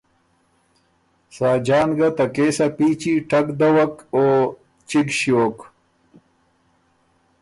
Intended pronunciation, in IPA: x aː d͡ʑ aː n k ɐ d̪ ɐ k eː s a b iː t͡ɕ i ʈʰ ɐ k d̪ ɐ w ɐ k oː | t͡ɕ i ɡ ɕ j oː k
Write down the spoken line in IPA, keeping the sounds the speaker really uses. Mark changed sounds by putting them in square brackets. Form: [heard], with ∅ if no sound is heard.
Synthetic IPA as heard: [s] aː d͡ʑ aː n [ɡ] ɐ [t̪] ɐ k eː s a [p] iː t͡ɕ i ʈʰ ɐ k d̪ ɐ w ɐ k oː | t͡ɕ i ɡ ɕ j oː k